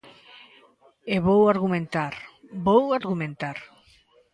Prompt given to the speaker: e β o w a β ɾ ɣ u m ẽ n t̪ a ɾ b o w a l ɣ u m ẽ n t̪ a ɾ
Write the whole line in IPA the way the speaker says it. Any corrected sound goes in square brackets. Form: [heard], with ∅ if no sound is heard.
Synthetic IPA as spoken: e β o w a [∅] ɾ ɣ u m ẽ n t̪ a ɾ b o w a [ɾ] ɣ u m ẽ n t̪ a ɾ